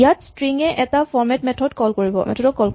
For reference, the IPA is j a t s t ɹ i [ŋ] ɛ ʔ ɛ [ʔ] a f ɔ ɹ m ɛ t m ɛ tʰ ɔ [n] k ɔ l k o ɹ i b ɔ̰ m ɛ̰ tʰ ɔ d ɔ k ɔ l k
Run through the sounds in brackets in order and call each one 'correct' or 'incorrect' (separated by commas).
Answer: correct, incorrect, incorrect